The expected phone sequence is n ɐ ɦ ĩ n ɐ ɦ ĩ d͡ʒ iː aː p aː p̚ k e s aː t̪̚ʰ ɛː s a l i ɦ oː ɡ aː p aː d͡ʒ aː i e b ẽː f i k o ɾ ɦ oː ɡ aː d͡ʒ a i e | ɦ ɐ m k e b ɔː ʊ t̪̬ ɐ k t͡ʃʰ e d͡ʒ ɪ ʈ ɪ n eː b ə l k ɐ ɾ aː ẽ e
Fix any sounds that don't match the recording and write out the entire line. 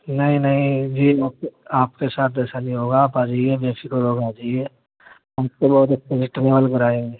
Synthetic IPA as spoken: n ɐ ɦ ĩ n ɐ ɦ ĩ d͡ʒ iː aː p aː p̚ k e s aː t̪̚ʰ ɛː s a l i ɦ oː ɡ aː p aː d͡ʒ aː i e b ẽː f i k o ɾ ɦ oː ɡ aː d͡ʒ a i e | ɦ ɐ m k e b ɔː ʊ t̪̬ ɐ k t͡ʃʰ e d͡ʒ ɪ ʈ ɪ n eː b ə l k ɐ ɾ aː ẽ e